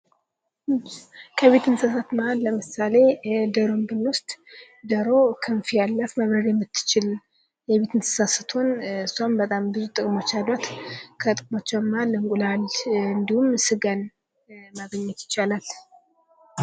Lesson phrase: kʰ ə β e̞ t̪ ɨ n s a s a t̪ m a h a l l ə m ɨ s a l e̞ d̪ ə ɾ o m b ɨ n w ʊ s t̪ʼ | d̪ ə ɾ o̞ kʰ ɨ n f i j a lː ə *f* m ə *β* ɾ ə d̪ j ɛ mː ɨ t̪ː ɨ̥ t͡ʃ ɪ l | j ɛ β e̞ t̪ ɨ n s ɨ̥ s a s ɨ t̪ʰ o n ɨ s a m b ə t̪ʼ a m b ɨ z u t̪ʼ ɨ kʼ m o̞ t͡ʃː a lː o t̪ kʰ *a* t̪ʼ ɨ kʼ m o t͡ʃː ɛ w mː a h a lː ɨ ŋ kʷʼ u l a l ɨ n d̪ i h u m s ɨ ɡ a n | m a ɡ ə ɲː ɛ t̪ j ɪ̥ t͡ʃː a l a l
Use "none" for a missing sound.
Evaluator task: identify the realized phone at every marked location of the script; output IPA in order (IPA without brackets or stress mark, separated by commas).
f, β, ə